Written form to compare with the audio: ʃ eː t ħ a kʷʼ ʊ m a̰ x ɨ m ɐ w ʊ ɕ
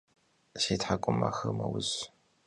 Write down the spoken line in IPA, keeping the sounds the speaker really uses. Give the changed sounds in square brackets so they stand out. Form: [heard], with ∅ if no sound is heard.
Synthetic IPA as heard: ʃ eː t ħ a kʷʼ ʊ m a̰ x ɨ m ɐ w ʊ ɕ